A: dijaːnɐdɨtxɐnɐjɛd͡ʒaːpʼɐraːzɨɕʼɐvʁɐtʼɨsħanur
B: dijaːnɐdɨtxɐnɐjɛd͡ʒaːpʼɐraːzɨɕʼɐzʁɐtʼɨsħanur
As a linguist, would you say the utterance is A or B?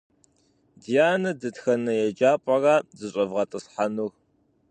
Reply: A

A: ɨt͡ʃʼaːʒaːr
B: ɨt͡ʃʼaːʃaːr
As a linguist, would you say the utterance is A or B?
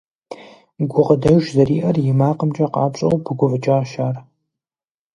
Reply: B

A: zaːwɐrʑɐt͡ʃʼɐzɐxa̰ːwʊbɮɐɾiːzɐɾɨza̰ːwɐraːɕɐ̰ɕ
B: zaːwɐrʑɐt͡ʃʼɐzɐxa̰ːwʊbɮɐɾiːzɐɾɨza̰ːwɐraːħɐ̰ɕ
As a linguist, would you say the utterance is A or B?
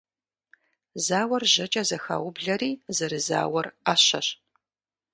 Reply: A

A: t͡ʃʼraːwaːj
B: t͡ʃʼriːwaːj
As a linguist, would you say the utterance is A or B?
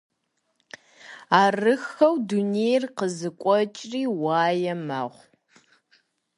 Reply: B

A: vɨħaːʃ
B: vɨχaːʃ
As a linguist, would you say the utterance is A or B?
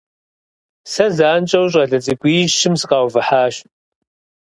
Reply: A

